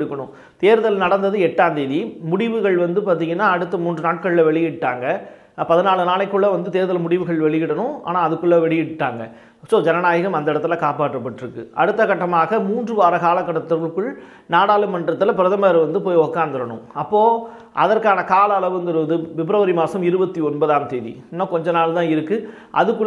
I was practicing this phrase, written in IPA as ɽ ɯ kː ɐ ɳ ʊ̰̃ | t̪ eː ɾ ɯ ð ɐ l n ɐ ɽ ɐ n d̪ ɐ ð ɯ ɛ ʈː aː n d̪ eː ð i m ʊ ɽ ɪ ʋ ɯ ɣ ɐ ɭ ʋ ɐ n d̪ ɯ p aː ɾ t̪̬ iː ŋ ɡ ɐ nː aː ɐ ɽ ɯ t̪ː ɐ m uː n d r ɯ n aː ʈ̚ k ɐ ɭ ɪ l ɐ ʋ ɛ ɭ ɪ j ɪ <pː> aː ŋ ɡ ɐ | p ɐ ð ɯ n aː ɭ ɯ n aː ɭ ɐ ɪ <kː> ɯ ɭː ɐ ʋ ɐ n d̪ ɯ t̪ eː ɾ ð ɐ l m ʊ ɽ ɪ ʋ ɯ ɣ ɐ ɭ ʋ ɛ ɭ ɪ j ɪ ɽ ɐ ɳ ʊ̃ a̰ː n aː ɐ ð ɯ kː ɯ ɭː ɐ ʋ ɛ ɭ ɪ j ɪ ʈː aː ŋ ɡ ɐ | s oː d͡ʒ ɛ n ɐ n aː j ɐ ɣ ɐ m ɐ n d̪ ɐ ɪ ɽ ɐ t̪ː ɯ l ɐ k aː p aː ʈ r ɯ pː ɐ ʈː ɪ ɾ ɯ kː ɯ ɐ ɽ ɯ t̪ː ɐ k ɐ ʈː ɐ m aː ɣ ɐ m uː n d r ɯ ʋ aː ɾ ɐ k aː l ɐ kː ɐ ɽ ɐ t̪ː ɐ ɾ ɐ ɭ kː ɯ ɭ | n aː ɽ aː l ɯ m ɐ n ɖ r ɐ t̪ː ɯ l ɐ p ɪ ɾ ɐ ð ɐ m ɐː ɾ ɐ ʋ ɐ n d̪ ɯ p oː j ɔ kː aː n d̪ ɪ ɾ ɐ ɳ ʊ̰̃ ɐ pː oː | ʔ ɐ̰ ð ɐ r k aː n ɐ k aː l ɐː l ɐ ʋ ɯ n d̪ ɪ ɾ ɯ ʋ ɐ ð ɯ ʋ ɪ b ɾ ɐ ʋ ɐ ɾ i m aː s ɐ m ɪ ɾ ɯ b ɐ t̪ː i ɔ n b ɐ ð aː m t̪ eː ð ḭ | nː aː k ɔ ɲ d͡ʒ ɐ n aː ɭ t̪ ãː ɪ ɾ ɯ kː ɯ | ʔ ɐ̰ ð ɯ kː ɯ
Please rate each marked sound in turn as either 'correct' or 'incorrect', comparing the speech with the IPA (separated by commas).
incorrect, correct